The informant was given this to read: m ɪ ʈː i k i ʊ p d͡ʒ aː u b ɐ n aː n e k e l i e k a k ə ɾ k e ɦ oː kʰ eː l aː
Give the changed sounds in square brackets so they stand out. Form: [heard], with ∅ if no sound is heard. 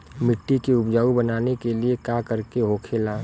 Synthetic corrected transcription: m ɪ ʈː i k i ʊ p d͡ʒ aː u b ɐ n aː n e k e l i e k a k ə ɾ k e ɦ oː kʰ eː l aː